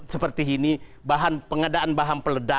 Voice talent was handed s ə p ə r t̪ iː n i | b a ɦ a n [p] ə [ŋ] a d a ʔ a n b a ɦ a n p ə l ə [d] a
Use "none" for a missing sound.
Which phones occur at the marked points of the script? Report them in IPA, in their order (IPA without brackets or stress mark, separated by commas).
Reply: p, ŋ, d